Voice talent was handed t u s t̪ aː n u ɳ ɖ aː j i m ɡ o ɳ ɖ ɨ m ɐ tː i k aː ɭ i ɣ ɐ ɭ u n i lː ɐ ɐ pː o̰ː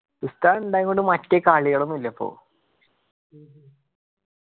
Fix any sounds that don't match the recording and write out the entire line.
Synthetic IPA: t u s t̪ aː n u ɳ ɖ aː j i ŋ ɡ o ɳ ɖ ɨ m ɐ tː e k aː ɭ i ɣ ɐ ɭ u m i lː ɐ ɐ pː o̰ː

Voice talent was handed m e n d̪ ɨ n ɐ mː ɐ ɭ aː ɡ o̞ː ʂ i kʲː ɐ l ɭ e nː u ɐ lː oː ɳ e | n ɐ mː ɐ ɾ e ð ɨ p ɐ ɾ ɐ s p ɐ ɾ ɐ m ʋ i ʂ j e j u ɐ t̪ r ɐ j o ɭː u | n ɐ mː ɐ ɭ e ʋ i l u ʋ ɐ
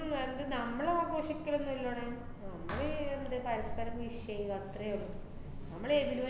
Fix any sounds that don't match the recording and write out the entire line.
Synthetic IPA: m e n d̪ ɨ n ɐ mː ɐ ɭ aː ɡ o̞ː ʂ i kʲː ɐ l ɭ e nː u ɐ lː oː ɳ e | n ɐ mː ɐ ɭ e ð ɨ p ɐ ɾ ɐ s p ɐ ɾ ɐ m ʋ i ʂ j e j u ɐ t̪ r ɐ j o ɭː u | n ɐ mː ɐ ɭ e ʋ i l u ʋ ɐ

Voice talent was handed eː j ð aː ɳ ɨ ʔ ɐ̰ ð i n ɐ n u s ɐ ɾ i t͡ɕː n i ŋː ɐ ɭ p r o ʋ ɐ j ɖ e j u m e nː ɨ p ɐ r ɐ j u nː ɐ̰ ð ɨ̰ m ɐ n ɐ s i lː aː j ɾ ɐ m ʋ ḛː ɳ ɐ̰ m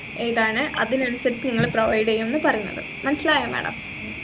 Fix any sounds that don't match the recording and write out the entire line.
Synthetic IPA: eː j ð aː ɳ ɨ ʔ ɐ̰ ð i n ɐ n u s ɐ ɾ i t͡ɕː n i ŋː ɐ ɭ p r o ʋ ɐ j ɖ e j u m e nː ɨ p ɐ r ɐ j u nː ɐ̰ ð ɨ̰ m ɐ n ɐ s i l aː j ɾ ɐ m ʋ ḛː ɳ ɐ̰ m

